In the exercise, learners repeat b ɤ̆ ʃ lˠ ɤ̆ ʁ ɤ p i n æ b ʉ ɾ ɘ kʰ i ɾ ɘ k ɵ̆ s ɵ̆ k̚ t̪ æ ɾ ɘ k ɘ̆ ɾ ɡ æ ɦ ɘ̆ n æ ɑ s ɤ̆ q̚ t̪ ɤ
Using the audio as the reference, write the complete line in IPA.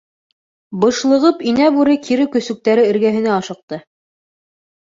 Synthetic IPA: b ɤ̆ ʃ lˠ ɤ̆ ʁ ɤ p i n æ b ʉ ɾ ɘ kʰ i ɾ ɘ k ɵ̆ s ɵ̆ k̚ t̪ æ ɾ ɘ ɘ̆ ɾ ɡ æ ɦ ɘ̆ n æ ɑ ʃ ɤ̆ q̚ t̪ ɤ